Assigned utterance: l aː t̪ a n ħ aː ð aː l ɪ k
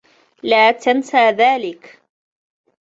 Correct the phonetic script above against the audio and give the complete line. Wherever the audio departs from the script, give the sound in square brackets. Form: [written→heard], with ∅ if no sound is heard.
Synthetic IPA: l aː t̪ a n [ħ→s] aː ð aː l ɪ k